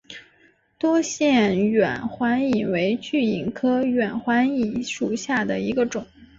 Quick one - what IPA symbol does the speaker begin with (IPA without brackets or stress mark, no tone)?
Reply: t̪